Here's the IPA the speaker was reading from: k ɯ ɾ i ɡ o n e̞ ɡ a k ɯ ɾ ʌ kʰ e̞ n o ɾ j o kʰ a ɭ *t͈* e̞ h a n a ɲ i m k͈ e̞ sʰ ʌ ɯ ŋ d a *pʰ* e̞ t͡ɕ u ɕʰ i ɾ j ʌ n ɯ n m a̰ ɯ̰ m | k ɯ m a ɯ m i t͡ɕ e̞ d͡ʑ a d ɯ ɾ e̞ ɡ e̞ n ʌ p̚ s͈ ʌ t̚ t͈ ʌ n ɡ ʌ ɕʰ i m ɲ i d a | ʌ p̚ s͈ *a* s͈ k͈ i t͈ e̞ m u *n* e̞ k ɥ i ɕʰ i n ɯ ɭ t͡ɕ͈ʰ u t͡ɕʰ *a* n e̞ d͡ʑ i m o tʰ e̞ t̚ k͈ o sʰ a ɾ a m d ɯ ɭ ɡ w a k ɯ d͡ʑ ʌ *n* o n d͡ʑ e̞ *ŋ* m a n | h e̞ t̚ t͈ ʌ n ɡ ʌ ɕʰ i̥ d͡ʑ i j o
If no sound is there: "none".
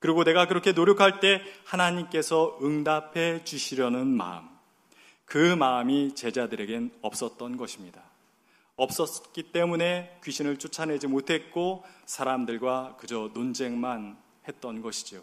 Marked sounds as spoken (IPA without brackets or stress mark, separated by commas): t͈, pʰ, ʌ, n, a, n, ŋ